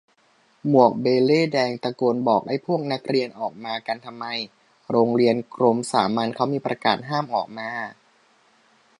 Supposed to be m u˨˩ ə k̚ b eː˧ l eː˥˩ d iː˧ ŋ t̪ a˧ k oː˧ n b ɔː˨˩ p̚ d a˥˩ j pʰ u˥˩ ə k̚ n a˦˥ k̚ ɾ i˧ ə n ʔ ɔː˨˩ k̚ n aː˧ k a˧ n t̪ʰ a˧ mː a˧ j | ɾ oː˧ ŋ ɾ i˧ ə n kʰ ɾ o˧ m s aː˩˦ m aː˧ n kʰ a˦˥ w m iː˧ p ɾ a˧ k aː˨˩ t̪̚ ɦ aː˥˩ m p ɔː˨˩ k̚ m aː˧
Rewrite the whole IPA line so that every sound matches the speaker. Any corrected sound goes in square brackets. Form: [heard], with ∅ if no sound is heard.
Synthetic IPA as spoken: m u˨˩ ə k̚ b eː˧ l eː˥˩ d [ɛː˧] ŋ t̪ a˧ k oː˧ n b ɔː˨˩ [k̚] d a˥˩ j pʰ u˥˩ ə k̚ n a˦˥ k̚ ɾ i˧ ə n ʔ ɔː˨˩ k̚ [m] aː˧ k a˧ n t̪ʰ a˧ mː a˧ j | ɾ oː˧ ŋ ɾ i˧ ə n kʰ ɾ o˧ m s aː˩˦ m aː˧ n kʰ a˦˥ w m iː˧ p ɾ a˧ k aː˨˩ t̪̚ ɦ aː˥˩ m [ʔ] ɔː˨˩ k̚ m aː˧

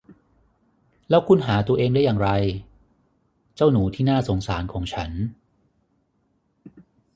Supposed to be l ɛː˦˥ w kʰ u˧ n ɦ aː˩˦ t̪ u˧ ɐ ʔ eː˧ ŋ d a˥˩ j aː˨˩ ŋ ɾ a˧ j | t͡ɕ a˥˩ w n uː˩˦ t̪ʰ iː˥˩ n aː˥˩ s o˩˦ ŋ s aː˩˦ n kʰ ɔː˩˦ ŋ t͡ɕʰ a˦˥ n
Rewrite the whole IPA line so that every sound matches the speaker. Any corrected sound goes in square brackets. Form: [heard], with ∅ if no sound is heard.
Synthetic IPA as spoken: l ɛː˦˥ w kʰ u˧ n ɦ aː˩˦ t̪ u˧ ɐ ʔ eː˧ ŋ d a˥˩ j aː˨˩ ŋ ɾ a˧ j | t͡ɕ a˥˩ w n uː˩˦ t̪ʰ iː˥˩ n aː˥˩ s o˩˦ ŋ s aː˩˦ n kʰ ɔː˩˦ ŋ t͡ɕʰ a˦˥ n

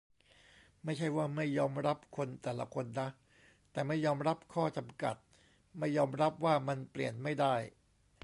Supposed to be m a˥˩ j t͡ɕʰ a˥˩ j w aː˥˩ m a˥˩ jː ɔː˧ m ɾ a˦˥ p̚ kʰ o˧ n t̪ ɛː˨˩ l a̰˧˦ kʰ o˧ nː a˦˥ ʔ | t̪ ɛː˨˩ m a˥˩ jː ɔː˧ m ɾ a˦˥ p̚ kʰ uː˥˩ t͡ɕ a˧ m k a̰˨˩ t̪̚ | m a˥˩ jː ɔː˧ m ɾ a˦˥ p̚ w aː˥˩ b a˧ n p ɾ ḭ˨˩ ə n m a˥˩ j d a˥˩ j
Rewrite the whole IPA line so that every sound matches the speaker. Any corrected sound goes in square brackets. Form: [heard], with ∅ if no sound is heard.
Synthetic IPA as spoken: m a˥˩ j t͡ɕʰ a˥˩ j w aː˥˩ m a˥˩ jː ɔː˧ m ɾ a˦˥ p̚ kʰ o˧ n t̪ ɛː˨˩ l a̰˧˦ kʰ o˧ nː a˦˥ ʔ | t̪ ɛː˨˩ m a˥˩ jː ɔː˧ m ɾ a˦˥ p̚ kʰ [ɔː˥˩] t͡ɕ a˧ m k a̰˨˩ t̪̚ | m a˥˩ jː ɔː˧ m ɾ a˦˥ p̚ w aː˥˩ [m] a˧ n p [l] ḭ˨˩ ə n m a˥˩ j d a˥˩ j

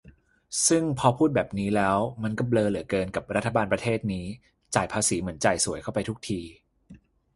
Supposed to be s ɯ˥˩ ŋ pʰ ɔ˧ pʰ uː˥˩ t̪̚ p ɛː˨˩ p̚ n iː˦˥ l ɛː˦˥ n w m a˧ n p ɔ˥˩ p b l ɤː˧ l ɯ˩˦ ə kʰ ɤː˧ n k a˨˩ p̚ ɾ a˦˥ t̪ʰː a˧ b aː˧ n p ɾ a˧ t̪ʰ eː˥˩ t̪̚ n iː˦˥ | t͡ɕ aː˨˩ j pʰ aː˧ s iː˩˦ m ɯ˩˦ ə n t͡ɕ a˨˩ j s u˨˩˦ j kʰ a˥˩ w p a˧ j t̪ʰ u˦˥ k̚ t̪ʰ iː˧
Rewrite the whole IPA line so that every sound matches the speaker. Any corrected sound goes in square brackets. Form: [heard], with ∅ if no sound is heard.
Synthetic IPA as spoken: s ɯ˥˩ ŋ pʰ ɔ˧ pʰ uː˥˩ t̪̚ [b] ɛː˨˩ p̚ n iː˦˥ l ɛː˦˥ [∅] w m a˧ n [k] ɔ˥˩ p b l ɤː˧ l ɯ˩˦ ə [k] ɤː˧ n k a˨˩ p̚ ɾ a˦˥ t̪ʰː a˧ b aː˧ n p ɾ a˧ t̪ʰ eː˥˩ t̪̚ n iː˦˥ | t͡ɕ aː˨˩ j pʰ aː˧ s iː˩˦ m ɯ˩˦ ə n t͡ɕ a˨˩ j s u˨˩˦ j kʰ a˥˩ w p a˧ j t̪ʰ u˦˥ k̚ t̪ʰ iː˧

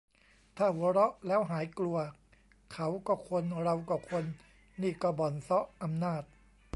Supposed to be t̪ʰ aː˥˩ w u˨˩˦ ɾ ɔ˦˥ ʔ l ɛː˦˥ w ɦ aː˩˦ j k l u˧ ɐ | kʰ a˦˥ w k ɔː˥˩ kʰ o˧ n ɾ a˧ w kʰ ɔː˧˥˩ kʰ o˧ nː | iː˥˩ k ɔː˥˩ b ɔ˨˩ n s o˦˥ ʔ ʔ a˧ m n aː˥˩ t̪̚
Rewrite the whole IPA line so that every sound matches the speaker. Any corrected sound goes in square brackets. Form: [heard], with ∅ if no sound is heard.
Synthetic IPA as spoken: t̪ʰ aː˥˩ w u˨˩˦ ɾ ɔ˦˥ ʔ l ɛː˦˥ w ɦ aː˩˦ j k l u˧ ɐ | kʰ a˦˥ w k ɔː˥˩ kʰ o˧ n ɾ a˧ w [k] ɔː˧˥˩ kʰ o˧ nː | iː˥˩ k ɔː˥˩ b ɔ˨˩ n s [ɔ˦˥] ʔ ʔ a˧ m n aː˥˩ t̪̚

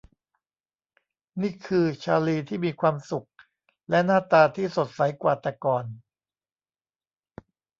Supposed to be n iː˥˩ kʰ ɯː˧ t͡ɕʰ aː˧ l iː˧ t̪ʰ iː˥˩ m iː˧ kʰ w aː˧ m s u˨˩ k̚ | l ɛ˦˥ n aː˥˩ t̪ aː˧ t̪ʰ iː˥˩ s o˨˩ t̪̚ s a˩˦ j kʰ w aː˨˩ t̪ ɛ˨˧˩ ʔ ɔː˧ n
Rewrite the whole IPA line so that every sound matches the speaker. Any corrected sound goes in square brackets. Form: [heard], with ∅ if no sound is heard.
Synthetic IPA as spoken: n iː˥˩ kʰ ɯː˧ t͡ɕʰ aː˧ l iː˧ t̪ʰ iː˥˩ m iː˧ kʰ w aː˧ m s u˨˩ k̚ | l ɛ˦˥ n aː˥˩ t̪ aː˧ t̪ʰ iː˥˩ s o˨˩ t̪̚ s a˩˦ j [k] w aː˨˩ t̪ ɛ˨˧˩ [k] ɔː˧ n

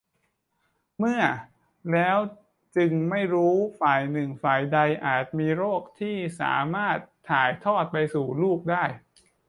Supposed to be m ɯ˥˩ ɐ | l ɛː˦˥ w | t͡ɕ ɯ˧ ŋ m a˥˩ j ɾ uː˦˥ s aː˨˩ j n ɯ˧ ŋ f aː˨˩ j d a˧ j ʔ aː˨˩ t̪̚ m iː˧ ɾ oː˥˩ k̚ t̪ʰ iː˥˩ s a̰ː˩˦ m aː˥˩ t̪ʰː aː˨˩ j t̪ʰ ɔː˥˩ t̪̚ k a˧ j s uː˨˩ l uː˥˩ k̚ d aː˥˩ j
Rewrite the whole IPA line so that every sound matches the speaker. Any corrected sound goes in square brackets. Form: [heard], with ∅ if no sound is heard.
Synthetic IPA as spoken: m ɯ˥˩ ɐ | l ɛː˦˥ w | t͡ɕ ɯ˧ ŋ m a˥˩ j ɾ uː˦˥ [f] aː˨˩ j n [ɯ˨˩] ŋ f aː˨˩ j d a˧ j ʔ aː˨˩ t̪̚ m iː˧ ɾ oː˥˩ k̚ t̪ʰ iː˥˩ s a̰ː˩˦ m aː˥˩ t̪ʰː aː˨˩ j t̪ʰ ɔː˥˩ t̪̚ [p] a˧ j s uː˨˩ l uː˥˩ k̚ d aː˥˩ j

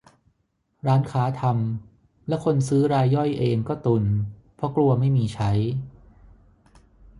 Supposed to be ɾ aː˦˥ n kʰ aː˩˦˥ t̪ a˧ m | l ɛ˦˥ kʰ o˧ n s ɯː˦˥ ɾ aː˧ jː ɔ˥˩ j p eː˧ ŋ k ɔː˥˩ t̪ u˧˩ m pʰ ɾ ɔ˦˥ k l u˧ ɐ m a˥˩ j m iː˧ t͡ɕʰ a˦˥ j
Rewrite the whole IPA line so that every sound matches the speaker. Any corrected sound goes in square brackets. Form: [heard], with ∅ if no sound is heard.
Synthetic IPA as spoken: ɾ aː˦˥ n kʰ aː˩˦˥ [t̪ʰ] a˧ m | l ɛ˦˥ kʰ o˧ n s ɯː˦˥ ɾ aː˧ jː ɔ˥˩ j [ʔ] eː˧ ŋ k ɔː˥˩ t̪ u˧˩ [n] pʰ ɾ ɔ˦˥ k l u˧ ɐ m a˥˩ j m iː˧ t͡ɕʰ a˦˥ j

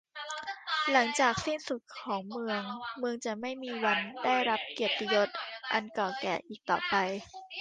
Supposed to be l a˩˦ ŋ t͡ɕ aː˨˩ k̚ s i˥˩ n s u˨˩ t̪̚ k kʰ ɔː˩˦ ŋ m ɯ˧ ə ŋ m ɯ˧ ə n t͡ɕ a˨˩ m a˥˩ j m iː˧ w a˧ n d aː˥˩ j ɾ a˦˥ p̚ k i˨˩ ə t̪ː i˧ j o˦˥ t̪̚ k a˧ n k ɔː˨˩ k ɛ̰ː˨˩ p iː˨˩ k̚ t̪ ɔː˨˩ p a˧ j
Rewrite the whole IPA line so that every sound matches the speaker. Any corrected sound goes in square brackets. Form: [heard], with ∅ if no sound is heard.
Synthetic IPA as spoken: l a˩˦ ŋ t͡ɕ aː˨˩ k̚ s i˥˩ n s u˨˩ t̪̚ k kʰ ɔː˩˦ ŋ m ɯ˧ ə ŋ m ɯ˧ ə [ŋ] t͡ɕ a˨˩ m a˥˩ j m iː˧ w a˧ n d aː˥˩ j ɾ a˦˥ p̚ k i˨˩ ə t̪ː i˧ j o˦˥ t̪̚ [ʔ] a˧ n k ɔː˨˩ k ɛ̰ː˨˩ [ʔ] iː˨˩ k̚ t̪ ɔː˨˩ p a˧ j

